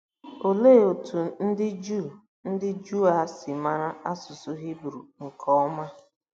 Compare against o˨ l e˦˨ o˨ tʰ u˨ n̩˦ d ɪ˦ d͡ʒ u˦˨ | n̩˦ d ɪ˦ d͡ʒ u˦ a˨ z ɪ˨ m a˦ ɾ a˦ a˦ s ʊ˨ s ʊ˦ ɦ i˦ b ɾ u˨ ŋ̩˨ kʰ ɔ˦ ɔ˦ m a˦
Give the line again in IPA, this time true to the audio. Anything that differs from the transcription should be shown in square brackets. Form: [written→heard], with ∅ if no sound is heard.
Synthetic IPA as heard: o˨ l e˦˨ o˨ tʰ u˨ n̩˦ d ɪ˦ d͡ʒ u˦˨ | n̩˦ d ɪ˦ d͡ʒ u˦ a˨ [z→s] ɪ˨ m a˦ ɾ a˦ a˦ s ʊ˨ s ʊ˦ ɦ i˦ b ɾ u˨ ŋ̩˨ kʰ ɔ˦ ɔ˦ m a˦